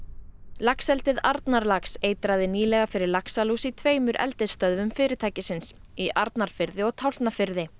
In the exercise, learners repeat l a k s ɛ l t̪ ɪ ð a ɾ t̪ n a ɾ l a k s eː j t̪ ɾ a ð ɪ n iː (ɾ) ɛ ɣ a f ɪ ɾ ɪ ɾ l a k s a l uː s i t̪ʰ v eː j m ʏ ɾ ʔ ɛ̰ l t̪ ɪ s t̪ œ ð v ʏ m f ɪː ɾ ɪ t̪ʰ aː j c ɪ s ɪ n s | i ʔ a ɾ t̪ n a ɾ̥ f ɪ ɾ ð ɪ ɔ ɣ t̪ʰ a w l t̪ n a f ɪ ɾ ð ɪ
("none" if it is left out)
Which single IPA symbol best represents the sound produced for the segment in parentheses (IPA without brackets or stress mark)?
l